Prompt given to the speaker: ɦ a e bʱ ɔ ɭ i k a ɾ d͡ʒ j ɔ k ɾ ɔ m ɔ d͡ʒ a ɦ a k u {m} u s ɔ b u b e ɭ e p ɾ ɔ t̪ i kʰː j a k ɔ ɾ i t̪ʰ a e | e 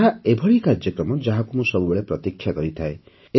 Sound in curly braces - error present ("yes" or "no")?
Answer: no